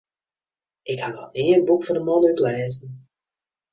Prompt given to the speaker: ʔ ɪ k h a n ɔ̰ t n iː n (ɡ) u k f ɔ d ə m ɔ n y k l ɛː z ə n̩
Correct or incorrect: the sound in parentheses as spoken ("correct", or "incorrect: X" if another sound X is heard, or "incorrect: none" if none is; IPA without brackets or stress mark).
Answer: incorrect: b